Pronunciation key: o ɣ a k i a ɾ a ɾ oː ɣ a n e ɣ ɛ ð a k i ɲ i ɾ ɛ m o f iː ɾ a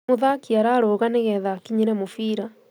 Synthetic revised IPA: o ð a k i a ɾ a ɾ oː ɣ a n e ɣ ɛ ð a k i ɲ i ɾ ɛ m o f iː ɾ a